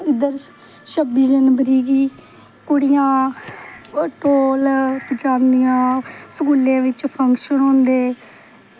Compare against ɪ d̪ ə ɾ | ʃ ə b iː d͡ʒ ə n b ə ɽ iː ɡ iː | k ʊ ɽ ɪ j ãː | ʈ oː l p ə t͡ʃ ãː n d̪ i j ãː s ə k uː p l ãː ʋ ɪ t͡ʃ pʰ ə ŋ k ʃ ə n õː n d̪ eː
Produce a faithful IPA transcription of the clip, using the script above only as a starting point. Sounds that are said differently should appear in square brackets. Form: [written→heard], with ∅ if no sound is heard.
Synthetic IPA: ɪ d̪ ə ɾ | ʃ ə b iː d͡ʒ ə n b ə [ɽ→ɾ] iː ɡ iː | k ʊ ɽ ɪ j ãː | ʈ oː l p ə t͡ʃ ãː n d̪ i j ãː s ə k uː [p→∅] l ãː ʋ ɪ t͡ʃ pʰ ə ŋ k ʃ ə n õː n d̪ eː